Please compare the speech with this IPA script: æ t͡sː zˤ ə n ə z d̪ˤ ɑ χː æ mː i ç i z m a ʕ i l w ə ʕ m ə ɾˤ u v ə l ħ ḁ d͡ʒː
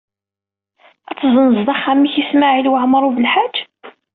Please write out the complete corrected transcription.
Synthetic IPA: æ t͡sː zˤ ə n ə z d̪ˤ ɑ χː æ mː i ç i s m a ʕ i l w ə ʕ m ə ɾˤ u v ə l ħ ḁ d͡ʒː